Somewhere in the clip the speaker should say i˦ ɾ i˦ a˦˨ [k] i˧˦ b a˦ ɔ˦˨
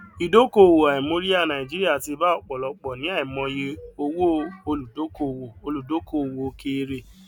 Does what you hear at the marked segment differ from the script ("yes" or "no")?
yes